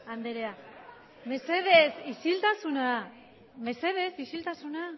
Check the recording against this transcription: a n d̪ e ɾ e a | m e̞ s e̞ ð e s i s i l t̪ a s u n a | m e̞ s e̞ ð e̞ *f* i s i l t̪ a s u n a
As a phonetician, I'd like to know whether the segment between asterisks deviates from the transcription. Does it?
yes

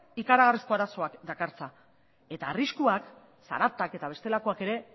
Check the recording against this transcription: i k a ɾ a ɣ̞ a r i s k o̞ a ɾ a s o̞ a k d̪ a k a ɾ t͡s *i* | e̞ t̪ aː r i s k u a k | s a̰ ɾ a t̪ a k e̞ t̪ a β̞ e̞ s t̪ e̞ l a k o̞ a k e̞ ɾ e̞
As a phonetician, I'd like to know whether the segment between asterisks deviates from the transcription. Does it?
yes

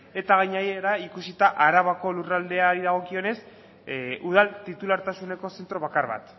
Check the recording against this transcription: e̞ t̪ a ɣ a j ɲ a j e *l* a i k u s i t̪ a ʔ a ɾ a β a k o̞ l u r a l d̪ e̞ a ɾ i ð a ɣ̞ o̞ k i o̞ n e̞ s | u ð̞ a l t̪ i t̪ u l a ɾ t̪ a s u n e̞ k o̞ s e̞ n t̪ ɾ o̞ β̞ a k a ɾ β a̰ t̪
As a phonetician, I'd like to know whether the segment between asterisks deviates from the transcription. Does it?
yes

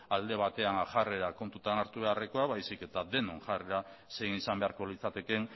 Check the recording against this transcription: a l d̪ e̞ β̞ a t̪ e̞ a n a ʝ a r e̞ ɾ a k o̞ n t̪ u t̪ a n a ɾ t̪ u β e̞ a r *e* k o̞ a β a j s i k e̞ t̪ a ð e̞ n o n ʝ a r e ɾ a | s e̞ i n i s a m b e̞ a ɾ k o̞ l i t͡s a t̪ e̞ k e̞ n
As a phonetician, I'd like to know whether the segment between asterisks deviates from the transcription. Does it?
no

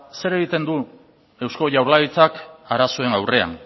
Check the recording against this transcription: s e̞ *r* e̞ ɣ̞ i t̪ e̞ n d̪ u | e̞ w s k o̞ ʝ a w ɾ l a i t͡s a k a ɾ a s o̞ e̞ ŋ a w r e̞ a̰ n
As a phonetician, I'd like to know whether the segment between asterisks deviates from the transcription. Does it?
yes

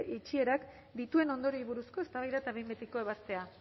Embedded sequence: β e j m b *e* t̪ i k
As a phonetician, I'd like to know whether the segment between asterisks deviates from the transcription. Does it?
no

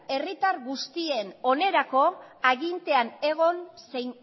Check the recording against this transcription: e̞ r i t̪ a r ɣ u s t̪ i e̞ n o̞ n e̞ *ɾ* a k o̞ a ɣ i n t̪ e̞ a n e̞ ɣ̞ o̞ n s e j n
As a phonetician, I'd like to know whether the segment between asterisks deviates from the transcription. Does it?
no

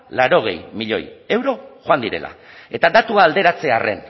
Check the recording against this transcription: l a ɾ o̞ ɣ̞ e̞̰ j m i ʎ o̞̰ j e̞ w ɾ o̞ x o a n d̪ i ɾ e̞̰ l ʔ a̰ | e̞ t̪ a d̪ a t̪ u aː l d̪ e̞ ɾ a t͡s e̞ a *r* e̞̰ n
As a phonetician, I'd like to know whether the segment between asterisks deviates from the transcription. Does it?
no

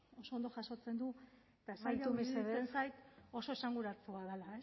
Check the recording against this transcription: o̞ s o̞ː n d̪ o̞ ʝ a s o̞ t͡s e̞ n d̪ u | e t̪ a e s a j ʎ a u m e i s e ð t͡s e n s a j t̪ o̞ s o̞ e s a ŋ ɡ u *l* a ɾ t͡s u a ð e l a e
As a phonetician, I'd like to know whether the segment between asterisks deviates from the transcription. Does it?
yes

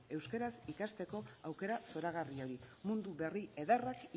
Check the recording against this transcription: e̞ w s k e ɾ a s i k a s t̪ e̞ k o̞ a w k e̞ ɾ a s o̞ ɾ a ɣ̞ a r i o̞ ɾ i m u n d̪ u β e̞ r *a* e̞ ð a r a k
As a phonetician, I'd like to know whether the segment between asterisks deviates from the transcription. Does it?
yes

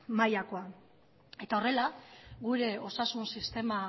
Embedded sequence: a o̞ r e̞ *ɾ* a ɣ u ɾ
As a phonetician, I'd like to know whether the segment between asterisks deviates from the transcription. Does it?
yes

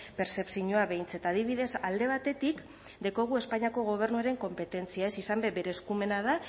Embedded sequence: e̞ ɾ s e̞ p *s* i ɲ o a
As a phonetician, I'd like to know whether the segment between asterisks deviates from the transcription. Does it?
no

